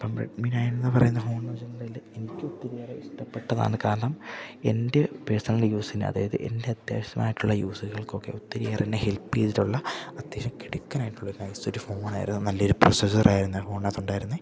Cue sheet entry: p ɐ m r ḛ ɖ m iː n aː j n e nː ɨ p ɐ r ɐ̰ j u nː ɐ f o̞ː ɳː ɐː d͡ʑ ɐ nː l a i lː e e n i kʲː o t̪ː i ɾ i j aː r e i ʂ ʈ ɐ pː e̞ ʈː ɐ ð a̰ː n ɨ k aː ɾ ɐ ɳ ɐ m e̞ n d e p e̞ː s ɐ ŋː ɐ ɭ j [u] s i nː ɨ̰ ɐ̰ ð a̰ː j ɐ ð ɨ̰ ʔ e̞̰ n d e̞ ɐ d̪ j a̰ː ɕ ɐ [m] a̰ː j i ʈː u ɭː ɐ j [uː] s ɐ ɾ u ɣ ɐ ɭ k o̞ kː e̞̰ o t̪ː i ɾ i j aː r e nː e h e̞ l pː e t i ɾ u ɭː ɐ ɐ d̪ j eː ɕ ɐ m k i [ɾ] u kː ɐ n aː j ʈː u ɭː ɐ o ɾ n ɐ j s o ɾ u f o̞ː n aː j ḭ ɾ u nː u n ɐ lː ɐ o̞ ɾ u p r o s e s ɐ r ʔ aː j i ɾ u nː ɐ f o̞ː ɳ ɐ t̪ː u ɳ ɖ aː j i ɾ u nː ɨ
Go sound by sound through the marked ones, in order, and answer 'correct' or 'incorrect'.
incorrect: uː, correct, correct, incorrect: ɽ

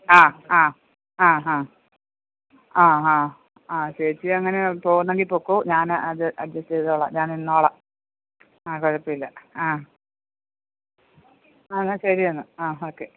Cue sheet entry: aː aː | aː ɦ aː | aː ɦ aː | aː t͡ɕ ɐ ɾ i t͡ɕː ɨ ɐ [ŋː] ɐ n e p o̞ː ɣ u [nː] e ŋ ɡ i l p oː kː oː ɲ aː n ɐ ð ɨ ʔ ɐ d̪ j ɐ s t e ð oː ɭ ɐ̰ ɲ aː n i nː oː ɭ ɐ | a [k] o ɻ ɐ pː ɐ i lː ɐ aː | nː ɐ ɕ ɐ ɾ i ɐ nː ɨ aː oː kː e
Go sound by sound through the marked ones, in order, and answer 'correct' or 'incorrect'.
correct, correct, correct

